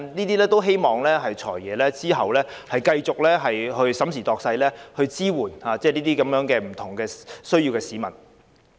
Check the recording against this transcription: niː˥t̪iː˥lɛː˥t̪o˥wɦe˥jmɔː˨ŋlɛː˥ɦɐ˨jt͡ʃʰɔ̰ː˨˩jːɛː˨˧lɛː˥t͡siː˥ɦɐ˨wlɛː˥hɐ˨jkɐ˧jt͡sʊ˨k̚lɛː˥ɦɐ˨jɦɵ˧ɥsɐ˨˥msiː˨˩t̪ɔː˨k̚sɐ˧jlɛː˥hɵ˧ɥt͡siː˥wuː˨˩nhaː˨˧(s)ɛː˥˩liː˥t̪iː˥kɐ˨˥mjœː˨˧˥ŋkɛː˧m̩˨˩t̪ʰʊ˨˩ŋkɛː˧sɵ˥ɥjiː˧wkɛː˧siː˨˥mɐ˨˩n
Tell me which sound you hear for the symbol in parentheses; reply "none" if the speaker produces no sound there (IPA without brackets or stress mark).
t͡s